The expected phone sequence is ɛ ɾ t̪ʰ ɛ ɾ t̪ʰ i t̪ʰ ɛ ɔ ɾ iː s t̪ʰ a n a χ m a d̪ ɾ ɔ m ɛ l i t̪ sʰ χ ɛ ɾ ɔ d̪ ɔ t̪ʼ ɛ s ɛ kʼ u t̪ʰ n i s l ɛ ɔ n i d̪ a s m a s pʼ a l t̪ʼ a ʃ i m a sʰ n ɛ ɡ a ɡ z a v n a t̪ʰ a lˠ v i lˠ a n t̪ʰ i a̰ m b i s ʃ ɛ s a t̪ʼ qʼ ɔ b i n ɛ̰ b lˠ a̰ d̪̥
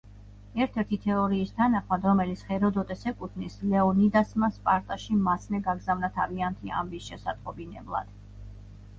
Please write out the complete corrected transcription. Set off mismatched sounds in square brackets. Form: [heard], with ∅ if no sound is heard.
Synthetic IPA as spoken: ɛ ɾ t̪ʰ ɛ ɾ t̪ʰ i t̪ʰ ɛ ɔ ɾ iː s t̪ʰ a n a χ m a d̪ ɾ ɔ m ɛ l i t̪ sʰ χ ɛ ɾ ɔ d̪ ɔ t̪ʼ ɛ s ɛ kʼ u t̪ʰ n i s l ɛ ɔ n i d̪ a s m a s pʼ a [ɾ] t̪ʼ a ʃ i m a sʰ n ɛ ɡ a ɡ z a v n a t̪ʰ a [∅] v i [∅] a n t̪ʰ i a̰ m b i s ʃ ɛ s a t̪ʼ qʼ ɔ b i n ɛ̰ b lˠ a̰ d̪̥